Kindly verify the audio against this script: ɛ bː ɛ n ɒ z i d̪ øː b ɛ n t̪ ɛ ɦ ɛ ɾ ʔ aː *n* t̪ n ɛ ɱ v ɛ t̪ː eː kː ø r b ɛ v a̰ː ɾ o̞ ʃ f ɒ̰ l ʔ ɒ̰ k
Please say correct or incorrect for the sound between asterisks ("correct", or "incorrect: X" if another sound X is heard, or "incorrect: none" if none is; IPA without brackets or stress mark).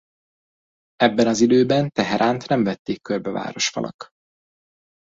correct